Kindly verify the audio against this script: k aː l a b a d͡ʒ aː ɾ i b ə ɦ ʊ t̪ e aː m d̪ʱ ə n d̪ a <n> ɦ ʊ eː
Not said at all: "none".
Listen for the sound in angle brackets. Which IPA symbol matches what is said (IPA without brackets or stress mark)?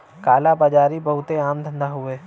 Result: none